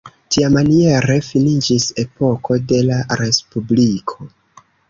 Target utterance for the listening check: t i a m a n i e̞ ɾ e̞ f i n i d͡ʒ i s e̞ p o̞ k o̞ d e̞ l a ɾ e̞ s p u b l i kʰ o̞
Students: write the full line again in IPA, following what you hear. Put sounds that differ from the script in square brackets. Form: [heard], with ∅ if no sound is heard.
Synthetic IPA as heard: t i a m a n i e̞ ɾ e̞ f i n i d͡ʒ i s e̞ p o̞ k o̞ d e̞ l a ɾ e̞ s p u b l i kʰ o̞